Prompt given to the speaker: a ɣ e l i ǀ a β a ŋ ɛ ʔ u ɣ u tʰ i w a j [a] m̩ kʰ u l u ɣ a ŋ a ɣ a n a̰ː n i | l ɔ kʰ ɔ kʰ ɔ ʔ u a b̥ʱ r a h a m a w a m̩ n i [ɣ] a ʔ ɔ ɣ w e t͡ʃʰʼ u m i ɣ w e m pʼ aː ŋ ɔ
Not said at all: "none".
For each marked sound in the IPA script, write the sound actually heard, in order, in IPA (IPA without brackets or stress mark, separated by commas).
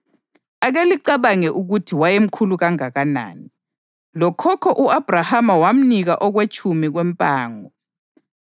e, ɣ